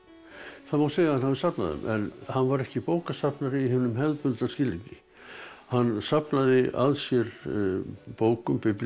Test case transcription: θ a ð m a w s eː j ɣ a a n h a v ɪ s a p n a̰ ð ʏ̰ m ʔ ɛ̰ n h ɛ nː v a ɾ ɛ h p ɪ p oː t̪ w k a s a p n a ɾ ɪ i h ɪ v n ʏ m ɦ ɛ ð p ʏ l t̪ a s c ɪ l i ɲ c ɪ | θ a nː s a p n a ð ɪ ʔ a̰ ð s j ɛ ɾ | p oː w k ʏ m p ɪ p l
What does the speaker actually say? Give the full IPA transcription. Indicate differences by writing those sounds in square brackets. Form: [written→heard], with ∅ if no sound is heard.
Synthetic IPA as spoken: θ a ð m a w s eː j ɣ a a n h a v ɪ s a p n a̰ ð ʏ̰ m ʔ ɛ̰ n h [ɛ→a] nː v a ɾ ɛ h [p→c] ɪ p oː [t̪→∅] w k a s a p n a ɾ ɪ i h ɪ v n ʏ m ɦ ɛ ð p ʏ l t̪ a s c ɪ l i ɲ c ɪ | [θ→h] a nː s a p n a ð ɪ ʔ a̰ ð s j ɛ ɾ | p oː w k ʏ m p ɪ p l